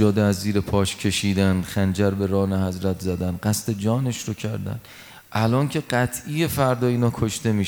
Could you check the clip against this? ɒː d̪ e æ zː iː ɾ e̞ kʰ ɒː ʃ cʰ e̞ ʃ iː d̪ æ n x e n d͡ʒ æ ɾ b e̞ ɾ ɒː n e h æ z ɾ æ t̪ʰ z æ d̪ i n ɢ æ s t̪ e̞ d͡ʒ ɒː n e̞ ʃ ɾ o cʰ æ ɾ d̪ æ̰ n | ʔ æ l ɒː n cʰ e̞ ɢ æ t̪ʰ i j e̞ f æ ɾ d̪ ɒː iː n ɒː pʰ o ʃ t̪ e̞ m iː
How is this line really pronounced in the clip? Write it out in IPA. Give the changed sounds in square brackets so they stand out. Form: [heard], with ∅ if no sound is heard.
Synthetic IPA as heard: ɒː d̪ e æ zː iː ɾ e̞ [pʰ] ɒː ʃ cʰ e̞ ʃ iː d̪ æ n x [æ] n d͡ʒ æ ɾ b e̞ ɾ ɒː n e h æ z ɾ æ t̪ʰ z æ d̪ [æ] n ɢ æ s t̪ e̞ d͡ʒ ɒː n e̞ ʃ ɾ o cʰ æ ɾ d̪ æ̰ n | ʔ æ l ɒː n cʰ e̞ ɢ æ t̪ʰ i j e̞ f æ ɾ d̪ ɒː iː n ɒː [kʰ] o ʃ t̪ e̞ m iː